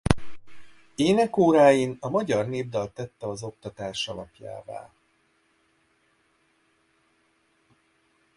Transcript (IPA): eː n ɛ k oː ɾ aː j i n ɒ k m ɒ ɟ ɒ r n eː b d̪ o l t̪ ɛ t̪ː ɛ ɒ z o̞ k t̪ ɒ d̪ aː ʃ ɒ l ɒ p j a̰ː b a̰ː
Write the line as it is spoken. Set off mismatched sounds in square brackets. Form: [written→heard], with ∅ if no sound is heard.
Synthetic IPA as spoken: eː n ɛ k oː ɾ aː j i n ɒ [k→∅] m ɒ ɟ ɒ r n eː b d̪ [o→ɒ] l t̪ ɛ t̪ː ɛ ɒ z o̞ k t̪ ɒ [d̪→t̪] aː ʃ ɒ l ɒ p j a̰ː [b→v] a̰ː